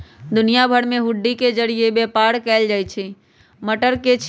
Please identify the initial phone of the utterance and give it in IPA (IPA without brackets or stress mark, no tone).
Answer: d̪